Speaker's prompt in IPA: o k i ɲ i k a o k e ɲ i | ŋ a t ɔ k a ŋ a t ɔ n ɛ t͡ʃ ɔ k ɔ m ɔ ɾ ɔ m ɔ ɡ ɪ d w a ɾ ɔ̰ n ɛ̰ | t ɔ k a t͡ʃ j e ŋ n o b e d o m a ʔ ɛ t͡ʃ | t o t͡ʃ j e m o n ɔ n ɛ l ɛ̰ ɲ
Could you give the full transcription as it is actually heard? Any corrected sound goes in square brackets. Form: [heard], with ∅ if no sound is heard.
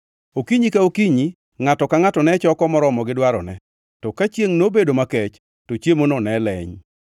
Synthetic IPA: o k i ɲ i k a o k [i] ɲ i | ŋ a t ɔ k a ŋ a t ɔ n ɛ t͡ʃ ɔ k ɔ m ɔ ɾ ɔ m ɔ ɡ ɪ d w a ɾ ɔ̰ n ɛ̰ | t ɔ k a t͡ʃ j e ŋ n o b e d o m a [k] ɛ t͡ʃ | t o t͡ʃ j e m o n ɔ n ɛ l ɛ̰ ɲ